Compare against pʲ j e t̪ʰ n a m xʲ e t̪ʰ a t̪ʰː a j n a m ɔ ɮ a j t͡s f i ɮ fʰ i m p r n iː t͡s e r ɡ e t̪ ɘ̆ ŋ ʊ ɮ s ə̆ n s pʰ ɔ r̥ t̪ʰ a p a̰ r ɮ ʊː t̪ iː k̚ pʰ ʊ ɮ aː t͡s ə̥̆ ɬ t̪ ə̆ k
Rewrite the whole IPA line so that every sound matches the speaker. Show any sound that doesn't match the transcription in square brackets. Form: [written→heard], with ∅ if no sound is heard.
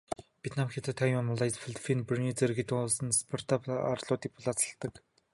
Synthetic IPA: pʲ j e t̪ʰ n a m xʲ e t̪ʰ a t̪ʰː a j [n→m] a m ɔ ɮ a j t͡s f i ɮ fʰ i [m→n] p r n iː t͡s e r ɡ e t̪ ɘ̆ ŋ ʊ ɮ s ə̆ n s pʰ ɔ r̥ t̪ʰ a p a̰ r ɮ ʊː t̪ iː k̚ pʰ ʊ ɮ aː t͡s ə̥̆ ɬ t̪ ə̆ k

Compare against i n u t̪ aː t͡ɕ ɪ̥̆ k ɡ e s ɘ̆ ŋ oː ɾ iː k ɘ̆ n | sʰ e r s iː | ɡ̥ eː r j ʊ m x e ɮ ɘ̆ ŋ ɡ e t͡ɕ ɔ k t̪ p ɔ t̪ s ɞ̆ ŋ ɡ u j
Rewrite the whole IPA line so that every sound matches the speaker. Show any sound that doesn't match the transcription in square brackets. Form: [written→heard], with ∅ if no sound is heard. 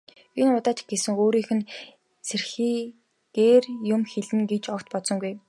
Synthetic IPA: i n [u→ʊ] t̪ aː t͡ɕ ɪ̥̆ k ɡ e s ɘ̆ ŋ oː ɾ iː [k→x] ɘ̆ n | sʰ e r [s→x] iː | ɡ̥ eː r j ʊ m x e ɮ ɘ̆ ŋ ɡ e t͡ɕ ɔ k t̪ p ɔ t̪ s ɞ̆ ŋ ɡ u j

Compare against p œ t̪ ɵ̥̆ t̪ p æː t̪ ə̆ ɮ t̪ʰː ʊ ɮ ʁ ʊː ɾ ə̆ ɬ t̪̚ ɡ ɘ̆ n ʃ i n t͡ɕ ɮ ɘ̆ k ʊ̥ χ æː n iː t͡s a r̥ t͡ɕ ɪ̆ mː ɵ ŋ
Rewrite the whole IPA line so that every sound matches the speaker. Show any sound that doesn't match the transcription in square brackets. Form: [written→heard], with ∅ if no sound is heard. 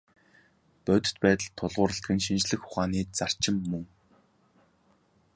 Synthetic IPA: p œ t̪ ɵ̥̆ t̪ p æː t̪ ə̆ ɮ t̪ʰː ʊ ɮ ʁ ʊː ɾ ə̆ ɬ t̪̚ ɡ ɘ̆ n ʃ i n t͡ɕ ɮ ɘ̆ [k→x] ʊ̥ χ [æː→aː] n iː t͡s a r̥ t͡ɕ ɪ̆ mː ɵ ŋ

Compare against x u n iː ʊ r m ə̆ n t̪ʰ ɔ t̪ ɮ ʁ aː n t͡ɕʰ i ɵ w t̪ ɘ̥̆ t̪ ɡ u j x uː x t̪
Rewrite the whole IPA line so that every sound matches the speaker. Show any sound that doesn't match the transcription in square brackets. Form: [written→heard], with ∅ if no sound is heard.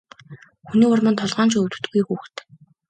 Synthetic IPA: x u n iː ʊ r m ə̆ n t̪ʰ ɔ [t̪→∅] ɮ ʁ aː n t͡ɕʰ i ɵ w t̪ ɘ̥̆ t̪ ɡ u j x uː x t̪

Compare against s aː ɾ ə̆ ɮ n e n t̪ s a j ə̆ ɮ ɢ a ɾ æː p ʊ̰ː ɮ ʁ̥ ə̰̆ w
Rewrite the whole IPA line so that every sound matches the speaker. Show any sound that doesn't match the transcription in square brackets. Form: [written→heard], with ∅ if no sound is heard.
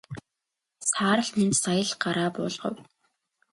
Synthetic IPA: s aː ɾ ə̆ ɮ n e n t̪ s a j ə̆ ɮ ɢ a ɾ [æː→aː] p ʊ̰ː ɮ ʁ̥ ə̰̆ w

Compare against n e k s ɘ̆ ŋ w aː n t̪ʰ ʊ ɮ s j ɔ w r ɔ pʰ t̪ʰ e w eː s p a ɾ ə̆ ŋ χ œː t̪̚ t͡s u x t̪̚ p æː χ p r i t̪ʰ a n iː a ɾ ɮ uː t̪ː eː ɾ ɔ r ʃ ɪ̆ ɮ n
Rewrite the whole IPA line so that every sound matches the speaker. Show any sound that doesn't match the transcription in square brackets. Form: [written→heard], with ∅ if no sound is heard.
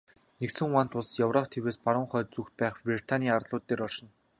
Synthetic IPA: n e k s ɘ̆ ŋ w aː n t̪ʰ ʊ ɮ s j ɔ w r ɔ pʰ t̪ʰ e w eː s p a ɾ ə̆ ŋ χ œː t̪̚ t͡s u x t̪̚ p æː χ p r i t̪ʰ a n iː a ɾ ɮ [uː→ʊː] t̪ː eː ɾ ɔ r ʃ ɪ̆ [ɮ→∅] n

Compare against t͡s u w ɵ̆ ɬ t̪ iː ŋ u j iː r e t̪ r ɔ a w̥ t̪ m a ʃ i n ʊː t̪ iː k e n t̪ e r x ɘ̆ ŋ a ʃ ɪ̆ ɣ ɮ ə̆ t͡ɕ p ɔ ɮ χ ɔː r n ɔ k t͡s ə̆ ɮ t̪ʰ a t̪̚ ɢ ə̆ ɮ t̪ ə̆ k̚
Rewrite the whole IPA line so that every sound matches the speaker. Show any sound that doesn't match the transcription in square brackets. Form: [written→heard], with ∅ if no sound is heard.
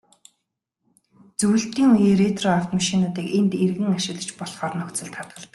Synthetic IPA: t͡s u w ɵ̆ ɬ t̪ iː ŋ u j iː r e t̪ r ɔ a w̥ t̪ m a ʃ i n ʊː t̪ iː k e n t̪ e r [x→ɣ] ɘ̆ ŋ a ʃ ɪ̆ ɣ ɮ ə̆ t͡ɕ p ɔ ɮ χ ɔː r n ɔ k t͡s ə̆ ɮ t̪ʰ a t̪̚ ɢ ə̆ ɮ t̪ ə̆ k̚

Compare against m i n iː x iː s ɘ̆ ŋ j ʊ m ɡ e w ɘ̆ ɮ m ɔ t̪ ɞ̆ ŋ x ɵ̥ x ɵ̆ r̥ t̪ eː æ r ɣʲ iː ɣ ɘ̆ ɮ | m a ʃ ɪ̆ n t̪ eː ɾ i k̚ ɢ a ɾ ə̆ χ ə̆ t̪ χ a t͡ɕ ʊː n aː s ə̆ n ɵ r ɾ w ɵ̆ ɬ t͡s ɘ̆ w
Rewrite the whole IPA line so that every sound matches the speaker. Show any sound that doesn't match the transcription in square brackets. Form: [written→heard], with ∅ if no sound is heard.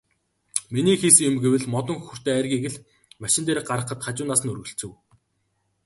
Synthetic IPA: m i n iː x iː s ɘ̆ ŋ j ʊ m ɡ e w ɘ̆ ɮ m ɔ t̪ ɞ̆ ŋ x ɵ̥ x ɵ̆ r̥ t̪ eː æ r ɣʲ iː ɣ ɘ̆ ɮ | m a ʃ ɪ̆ n t̪ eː ɾ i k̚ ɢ a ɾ ə̆ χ ə̆ t̪ χ a t͡ɕ ʊː n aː s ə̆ n ɵ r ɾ [w→ɣ] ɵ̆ ɬ t͡s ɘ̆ w

